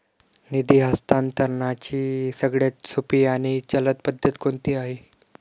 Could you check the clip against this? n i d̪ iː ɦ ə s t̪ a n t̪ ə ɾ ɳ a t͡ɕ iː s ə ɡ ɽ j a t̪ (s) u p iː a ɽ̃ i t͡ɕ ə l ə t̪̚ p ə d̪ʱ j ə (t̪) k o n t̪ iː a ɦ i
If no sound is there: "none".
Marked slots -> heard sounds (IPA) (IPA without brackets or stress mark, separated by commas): s, t̪